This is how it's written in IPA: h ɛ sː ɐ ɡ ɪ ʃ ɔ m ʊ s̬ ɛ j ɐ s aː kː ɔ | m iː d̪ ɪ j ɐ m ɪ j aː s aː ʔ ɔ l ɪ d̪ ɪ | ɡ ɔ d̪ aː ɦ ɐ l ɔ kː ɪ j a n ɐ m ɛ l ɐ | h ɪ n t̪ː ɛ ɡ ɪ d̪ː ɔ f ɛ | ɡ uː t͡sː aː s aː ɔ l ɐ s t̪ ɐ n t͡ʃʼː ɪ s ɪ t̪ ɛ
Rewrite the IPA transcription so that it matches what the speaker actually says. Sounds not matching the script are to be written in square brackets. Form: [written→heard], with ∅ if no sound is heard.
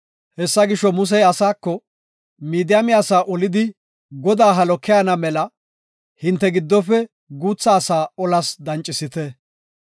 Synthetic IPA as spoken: h ɛ sː ɐ ɡ ɪ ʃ ɔ m ʊ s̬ ɛ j ɐ s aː kː ɔ | m iː d̪ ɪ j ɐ m ɪ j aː s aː ʔ ɔ l ɪ d̪ ɪ | ɡ ɔ d̪ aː ɦ ɐ l ɔ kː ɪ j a n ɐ m ɛ l ɐ | h ɪ n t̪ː ɛ ɡ ɪ d̪ː ɔ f ɛ | ɡ uː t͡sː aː s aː ɔ l ɐ s [t̪→d̪] ɐ n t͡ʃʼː ɪ s ɪ t̪ ɛ